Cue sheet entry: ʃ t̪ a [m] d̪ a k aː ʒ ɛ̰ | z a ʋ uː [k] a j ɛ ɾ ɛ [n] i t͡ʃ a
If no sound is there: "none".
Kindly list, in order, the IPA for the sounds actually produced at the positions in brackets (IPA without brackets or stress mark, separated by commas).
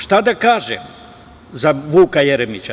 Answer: none, k, m